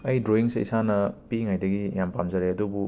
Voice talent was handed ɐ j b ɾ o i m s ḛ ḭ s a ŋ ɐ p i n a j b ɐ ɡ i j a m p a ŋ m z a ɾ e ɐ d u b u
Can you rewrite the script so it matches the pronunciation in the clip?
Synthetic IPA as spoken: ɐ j d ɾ o i ŋ s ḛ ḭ s a n ɐ p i ŋ a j d ɐ ɡ i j a m p a m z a ɾ e ɐ d u b u